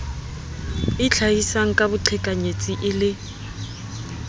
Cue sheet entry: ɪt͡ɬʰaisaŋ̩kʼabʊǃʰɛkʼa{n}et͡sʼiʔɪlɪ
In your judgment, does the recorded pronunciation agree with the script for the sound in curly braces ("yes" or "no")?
no